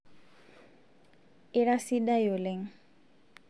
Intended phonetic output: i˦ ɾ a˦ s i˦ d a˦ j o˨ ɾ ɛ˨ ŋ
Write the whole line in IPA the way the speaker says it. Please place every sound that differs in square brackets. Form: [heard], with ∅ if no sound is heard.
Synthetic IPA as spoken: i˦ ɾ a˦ s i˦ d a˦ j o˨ [l] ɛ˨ ŋ